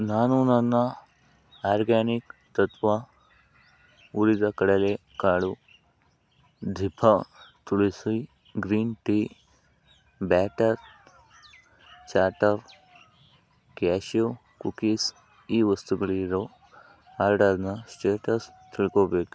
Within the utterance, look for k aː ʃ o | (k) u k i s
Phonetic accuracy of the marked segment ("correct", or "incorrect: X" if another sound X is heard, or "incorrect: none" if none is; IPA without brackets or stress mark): correct